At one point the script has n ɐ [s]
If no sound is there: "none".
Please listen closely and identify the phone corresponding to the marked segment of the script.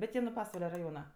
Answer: none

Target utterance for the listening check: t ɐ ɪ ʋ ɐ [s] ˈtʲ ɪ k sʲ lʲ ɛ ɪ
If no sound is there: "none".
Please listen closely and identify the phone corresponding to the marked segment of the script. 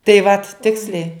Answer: t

